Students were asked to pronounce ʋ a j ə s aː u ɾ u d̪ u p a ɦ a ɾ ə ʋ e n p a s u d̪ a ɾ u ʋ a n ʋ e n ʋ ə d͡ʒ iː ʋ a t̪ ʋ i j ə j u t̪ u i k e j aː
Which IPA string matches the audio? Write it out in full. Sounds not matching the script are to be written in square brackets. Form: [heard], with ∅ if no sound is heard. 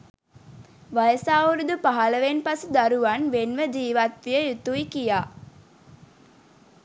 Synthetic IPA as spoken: ʋ a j ə s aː u ɾ u d̪ u p a ɦ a [l] ə ʋ e n p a s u d̪ a ɾ u ʋ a n ʋ e n ʋ ə d͡ʒ iː ʋ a t̪ ʋ i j ə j u t̪ u i k [i] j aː